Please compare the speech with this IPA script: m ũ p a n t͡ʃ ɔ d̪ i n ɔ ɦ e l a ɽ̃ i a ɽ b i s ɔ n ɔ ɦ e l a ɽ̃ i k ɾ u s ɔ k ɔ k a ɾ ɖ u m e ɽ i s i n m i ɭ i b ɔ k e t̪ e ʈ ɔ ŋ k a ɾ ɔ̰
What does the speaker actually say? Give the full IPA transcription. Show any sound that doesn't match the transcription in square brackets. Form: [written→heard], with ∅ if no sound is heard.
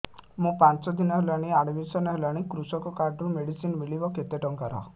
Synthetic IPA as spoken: m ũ p a n t͡ʃ ɔ d̪ i n ɔ ɦ e l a ɽ̃ i a ɽ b i s ɔ n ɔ ɦ e l a ɽ̃ i k ɾ u s ɔ k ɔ k a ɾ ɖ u m e ɽ i s i n m i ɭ i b ɔ k e t̪ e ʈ ɔ ŋ k a ɾ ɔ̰